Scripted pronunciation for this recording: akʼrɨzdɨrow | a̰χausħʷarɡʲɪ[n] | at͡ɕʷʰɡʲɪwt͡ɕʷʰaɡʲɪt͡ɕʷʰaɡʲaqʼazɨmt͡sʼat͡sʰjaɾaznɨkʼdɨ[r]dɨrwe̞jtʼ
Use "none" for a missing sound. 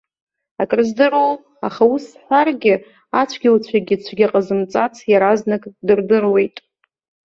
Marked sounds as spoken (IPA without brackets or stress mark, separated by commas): none, r